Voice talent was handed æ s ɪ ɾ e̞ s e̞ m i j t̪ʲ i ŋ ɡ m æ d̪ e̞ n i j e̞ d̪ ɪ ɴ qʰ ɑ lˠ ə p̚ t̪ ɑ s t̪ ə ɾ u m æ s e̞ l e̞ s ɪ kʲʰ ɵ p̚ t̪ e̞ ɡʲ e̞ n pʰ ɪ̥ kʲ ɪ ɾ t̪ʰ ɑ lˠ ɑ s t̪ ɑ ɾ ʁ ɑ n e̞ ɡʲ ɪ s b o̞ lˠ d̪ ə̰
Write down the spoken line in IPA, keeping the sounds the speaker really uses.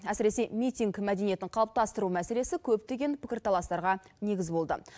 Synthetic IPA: æ s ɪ ɾ e̞ s e̞ m i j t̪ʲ i ŋ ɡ m æ d̪ e̞ n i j e̞ t̪ ɪ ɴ qʰ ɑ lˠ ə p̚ t̪ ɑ s t̪ ə ɾ u m æ s e̞ l e̞ s ɪ kʲʰ ɵ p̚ t̪ e̞ ɡʲ e̞ n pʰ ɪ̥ kʲ ɪ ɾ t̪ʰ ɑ lˠ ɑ s t̪ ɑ ɾ ʁ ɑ n e̞ ɡʲ ɪ z b o̞ lˠ d̪ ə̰